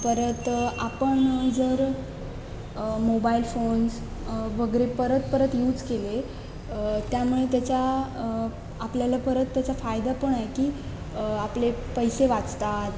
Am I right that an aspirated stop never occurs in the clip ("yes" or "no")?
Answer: yes